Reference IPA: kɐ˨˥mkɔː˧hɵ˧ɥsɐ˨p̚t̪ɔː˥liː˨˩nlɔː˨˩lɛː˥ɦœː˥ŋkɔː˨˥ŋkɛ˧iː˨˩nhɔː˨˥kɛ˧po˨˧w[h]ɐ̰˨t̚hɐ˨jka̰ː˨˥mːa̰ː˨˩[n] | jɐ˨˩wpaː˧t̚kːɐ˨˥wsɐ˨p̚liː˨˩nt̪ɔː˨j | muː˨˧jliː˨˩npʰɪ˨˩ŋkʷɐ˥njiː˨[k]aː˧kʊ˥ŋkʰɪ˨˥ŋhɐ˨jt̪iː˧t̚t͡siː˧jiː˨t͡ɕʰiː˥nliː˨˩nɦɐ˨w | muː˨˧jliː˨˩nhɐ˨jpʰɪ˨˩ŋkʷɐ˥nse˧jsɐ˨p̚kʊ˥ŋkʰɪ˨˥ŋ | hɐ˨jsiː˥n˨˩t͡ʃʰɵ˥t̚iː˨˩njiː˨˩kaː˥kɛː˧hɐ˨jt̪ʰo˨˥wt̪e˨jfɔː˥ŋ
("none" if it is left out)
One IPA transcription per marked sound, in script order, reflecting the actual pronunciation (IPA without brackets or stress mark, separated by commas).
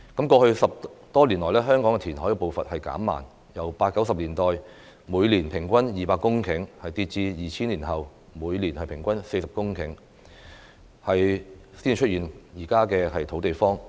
f, n, p